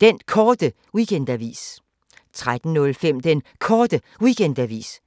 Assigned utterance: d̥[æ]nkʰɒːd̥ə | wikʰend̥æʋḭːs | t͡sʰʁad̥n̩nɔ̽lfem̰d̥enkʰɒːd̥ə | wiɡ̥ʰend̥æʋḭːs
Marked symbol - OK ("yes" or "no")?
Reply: no